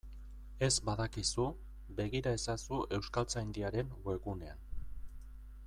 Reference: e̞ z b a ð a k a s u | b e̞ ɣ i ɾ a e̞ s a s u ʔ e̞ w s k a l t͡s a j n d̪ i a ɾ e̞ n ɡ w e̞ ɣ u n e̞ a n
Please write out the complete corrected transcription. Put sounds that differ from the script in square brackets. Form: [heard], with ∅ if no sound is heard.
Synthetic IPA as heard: e̞ z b a ð a k [i] s u | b e̞ ɣ i ɾ a e̞ s a s u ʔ e̞ w s k a l t͡s a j n d̪ i a ɾ e̞ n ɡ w e̞ ɣ u n e̞ a n